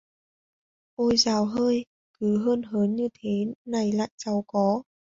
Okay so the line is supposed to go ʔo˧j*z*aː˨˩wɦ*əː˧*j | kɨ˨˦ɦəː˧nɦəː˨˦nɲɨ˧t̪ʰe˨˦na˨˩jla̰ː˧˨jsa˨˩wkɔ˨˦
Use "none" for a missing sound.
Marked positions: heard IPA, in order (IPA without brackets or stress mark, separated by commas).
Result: z, əː˧